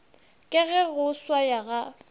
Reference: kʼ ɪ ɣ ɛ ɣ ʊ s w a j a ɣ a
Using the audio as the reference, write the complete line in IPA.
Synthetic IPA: kʼ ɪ ɣ ɛ ɣ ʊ s w a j a ɣ a